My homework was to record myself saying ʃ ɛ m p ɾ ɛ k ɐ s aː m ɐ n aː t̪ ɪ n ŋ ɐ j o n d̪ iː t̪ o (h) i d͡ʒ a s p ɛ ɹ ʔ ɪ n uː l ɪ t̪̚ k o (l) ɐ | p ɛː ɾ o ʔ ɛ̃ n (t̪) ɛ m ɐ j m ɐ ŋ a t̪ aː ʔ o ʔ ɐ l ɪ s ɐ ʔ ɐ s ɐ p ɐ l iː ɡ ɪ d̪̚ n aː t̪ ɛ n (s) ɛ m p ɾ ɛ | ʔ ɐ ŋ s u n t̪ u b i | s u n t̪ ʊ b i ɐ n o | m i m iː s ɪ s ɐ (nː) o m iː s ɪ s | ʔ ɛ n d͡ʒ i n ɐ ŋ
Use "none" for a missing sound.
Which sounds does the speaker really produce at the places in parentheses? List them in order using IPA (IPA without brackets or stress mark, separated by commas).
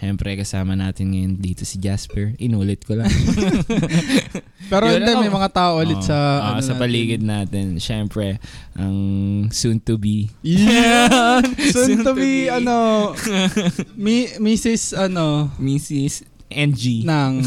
s, l, d̪, ʃ, n